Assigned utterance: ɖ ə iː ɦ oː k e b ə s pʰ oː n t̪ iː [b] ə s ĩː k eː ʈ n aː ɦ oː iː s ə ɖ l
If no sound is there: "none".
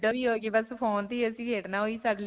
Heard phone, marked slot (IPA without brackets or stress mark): none